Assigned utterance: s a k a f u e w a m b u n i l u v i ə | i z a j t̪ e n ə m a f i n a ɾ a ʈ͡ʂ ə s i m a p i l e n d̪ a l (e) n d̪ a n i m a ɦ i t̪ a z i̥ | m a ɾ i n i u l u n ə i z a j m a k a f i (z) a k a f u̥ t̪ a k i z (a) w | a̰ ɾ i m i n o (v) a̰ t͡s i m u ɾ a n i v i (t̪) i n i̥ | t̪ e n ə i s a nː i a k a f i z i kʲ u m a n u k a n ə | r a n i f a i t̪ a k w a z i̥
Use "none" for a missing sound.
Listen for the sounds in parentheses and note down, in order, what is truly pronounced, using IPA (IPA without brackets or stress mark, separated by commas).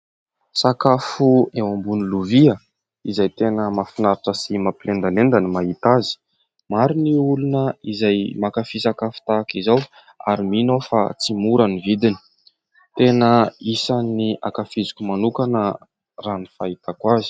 e, s, a, f, d̪